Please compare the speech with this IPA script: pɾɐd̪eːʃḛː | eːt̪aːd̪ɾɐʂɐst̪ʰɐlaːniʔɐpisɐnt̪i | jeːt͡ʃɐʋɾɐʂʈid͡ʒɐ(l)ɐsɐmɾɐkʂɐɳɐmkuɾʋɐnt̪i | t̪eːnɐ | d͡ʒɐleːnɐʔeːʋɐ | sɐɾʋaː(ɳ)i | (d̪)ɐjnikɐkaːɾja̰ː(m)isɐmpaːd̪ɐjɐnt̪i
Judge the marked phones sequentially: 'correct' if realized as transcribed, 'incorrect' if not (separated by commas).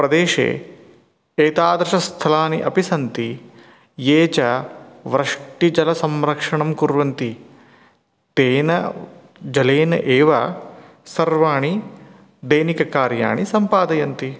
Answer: correct, correct, correct, incorrect